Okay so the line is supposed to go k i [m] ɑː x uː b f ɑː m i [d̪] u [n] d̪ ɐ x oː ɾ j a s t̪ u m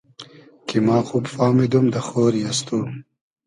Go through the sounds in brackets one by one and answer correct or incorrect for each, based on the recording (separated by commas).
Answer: correct, correct, incorrect